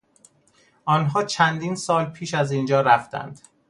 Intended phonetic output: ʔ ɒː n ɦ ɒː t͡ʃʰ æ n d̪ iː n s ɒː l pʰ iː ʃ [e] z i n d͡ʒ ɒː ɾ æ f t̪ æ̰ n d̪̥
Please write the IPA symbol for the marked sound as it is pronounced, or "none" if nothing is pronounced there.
æ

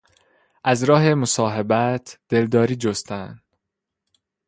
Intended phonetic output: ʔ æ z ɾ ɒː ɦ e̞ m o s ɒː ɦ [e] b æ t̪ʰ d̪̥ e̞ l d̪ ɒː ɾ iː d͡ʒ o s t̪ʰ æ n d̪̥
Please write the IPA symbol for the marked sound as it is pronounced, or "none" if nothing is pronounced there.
e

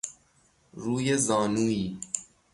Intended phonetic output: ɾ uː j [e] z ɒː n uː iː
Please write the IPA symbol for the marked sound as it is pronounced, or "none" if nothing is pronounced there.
e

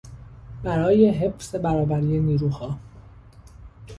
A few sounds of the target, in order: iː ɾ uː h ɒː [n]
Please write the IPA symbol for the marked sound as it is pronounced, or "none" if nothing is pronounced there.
none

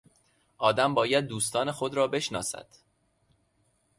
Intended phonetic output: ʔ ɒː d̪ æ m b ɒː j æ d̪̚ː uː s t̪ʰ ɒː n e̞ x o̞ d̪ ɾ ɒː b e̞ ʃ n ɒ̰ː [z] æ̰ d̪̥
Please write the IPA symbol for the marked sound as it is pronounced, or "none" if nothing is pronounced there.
s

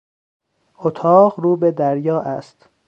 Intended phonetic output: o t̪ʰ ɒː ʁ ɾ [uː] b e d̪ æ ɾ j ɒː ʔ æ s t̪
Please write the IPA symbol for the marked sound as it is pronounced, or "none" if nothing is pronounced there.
uː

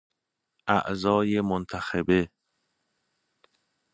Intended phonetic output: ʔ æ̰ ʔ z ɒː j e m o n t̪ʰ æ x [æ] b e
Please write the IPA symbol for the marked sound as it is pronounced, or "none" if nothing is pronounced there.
e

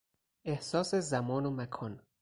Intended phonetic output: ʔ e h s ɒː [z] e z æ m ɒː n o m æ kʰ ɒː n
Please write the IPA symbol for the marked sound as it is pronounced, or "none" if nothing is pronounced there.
s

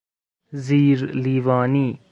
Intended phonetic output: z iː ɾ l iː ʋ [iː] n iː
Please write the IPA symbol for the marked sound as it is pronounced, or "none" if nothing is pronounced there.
aː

